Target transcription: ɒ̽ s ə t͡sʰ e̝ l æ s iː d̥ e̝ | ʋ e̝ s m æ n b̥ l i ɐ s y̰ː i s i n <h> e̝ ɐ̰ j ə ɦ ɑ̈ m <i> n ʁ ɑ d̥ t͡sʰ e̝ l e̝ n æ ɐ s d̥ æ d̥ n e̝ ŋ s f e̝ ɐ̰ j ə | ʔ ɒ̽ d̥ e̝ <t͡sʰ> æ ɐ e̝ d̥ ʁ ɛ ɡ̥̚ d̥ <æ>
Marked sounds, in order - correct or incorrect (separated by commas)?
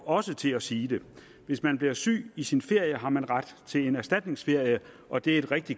incorrect, incorrect, incorrect, incorrect